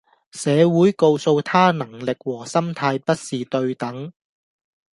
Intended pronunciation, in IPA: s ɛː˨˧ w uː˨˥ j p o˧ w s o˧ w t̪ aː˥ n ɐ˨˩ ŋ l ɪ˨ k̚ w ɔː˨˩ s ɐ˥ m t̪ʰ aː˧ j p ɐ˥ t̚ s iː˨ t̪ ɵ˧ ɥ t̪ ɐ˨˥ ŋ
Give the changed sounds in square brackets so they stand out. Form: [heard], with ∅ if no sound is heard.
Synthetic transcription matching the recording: s ɛː˨˧ w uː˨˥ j [k] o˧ w s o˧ w [t̪ʰ] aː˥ n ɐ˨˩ ŋ l ɪ˨ k̚ w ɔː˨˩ s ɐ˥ m t̪ʰ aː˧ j p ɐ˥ t̚ s iː˨ t̪ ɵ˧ ɥ t̪ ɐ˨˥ ŋ